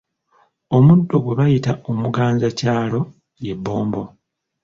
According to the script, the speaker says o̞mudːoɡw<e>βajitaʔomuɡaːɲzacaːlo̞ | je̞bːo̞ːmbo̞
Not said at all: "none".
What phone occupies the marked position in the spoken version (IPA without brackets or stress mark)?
e